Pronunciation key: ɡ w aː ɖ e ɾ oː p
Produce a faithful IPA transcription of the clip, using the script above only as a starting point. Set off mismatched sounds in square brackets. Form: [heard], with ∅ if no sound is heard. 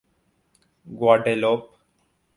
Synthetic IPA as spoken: ɡ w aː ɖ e [l] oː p